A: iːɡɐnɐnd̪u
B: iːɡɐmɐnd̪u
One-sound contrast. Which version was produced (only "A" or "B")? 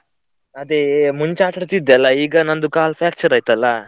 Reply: A